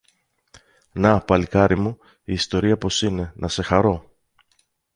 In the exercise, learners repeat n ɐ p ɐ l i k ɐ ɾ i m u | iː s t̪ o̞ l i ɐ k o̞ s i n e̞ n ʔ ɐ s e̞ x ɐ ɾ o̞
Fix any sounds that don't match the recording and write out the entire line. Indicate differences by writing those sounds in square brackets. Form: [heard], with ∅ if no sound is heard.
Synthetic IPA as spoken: n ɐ p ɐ l i k ɐ ɾ i m u | iː s t̪ o̞ [ɾ] i ɐ [p] o̞ s i n e̞ n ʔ ɐ s e̞ x ɐ ɾ o̞

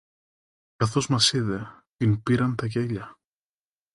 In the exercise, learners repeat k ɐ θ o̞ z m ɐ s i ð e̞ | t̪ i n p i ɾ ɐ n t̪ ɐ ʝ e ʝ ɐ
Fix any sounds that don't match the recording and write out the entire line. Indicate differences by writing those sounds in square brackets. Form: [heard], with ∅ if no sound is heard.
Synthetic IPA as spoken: k ɐ θ o̞ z m ɐ s i ð e̞ | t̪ i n p i ɾ ɐ n t̪ ɐ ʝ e [ʎ] ɐ

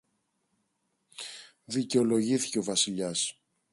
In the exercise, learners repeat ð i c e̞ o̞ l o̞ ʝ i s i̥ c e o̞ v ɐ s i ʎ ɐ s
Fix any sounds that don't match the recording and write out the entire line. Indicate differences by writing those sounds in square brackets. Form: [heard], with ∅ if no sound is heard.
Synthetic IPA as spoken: ð i c e̞ o̞ l o̞ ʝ i [θ] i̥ c e o̞ v ɐ s i ʎ ɐ s

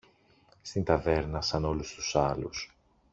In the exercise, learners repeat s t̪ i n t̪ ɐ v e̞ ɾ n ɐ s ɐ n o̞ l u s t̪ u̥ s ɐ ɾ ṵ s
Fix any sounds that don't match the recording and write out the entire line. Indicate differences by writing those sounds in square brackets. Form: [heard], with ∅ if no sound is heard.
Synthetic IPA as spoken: s t̪ i n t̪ ɐ v e̞ ɾ n ɐ s ɐ n o̞ l u s t̪ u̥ s ɐ [l] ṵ s

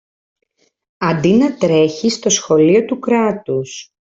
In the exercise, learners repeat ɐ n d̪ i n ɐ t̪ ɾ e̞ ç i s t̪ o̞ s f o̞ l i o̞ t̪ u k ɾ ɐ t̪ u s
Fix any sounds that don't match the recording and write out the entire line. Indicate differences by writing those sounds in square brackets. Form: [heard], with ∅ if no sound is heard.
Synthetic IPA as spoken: ɐ n d̪ i n ɐ t̪ ɾ e̞ ç i s t̪ o̞ s [x] o̞ l i o̞ t̪ u k ɾ ɐ t̪ u s

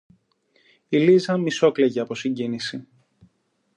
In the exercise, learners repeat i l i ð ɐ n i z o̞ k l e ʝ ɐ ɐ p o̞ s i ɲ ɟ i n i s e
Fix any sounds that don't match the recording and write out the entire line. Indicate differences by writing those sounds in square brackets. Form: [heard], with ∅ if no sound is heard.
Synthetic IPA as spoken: i l i [z] ɐ [m] i [s] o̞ k l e ʝ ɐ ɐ p o̞ s i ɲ ɟ i n i s [i]

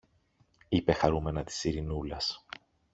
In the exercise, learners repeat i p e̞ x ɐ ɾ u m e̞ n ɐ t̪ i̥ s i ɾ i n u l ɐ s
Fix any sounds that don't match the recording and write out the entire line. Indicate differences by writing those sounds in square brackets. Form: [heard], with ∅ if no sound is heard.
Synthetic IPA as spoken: i p e̞ x ɐ ɾ u m e̞ n ɐ t̪ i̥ s i ɾ i n u l ɐ s

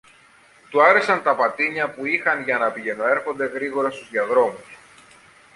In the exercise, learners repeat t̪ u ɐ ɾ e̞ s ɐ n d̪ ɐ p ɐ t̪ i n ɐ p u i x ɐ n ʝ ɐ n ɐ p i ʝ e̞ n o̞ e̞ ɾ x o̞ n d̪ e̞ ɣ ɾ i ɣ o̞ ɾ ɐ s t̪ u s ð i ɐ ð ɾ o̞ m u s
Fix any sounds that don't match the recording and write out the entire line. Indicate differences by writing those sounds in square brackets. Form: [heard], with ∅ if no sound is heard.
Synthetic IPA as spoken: t̪ u ɐ ɾ e̞ s ɐ n [t̪] ɐ p ɐ t̪ i [ɲ] ɐ p u i x ɐ n ʝ ɐ n ɐ p i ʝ e̞ n o̞ e̞ ɾ x o̞ n d̪ e̞ ɣ ɾ i ɣ o̞ ɾ ɐ s t̪ u [z] ð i ɐ ð ɾ o̞ m u s

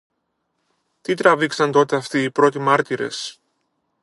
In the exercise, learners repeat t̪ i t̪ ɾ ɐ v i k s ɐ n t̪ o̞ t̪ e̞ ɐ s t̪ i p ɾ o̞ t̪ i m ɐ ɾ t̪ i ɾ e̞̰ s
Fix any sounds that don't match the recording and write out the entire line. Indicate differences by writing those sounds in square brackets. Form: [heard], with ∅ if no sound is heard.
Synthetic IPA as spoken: t̪ i t̪ ɾ ɐ v i k s ɐ n t̪ o̞ t̪ e̞ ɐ [f] t̪ [iː] p ɾ o̞ t̪ i m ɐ ɾ t̪ i ɾ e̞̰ s

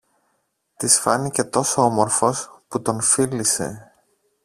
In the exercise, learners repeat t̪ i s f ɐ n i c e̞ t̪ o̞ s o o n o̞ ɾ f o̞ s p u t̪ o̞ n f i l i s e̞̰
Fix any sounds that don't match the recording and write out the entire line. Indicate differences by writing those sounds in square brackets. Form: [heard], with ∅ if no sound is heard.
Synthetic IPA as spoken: t̪ i s f ɐ n i c e̞ t̪ o̞ s o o [m] o̞ ɾ f o̞ s p u t̪ o̞ n f i l i s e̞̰

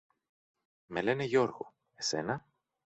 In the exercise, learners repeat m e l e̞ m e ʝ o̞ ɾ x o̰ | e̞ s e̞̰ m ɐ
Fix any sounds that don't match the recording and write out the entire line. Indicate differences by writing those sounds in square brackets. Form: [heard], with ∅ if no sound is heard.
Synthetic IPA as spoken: m e l e̞ [n] e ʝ o̞ ɾ [ɣ] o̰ | e̞ s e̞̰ [n] ɐ

